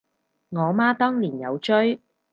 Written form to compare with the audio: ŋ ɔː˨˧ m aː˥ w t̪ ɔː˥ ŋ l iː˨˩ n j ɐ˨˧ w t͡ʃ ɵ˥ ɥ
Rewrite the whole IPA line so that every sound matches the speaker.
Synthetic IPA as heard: ŋ ɔː˨˧ m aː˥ t̪ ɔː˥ ŋ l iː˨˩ n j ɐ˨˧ w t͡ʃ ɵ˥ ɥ